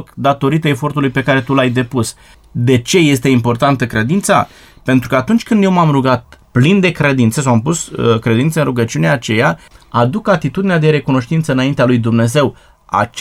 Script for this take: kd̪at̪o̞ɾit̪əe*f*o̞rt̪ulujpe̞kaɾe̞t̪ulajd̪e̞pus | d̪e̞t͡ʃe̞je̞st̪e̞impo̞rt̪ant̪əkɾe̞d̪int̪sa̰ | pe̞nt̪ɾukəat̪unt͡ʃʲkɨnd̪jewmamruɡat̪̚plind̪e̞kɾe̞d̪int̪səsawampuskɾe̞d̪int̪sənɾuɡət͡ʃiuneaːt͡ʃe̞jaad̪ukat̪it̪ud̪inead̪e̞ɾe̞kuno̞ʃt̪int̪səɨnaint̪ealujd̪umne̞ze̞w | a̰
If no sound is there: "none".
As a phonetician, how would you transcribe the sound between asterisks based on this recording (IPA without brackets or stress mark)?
f